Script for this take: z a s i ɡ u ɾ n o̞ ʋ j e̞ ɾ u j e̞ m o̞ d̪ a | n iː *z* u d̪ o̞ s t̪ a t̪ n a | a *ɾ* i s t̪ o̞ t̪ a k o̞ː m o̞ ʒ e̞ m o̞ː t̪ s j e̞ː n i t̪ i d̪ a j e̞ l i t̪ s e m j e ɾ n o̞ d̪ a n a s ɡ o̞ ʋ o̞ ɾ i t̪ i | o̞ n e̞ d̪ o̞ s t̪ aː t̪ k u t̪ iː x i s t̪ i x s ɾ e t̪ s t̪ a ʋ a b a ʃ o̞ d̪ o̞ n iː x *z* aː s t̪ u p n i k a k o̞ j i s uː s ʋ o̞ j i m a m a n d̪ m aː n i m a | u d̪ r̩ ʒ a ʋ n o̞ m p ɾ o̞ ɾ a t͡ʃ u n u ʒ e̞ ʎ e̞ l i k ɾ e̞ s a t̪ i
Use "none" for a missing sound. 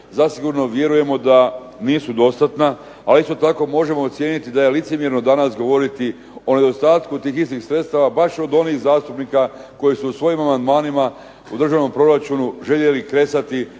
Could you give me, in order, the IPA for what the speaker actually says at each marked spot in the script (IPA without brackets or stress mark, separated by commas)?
s, l, z